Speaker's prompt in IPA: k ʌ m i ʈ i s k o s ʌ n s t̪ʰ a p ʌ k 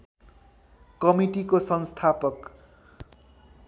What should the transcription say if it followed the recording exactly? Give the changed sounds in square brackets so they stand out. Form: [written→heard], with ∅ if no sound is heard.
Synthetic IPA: k ʌ m i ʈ i [s→∅] k o s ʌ n s t̪ʰ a p ʌ k